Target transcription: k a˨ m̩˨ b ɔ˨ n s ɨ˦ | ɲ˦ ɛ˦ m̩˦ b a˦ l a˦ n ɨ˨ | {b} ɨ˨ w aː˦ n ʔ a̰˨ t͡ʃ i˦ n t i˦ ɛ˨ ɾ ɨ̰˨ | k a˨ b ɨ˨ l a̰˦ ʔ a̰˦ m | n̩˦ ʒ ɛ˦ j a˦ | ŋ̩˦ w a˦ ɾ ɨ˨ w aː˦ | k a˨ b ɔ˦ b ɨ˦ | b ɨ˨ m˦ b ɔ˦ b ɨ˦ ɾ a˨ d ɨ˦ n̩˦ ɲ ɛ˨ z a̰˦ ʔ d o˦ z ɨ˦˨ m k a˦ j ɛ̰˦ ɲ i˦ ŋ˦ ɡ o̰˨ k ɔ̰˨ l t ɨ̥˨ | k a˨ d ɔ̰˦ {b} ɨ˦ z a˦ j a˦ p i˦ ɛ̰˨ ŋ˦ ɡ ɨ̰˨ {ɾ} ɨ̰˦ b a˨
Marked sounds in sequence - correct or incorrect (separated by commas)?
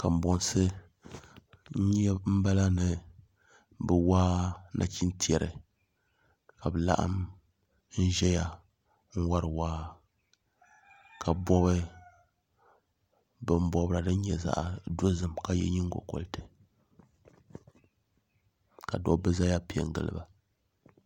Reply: correct, correct, incorrect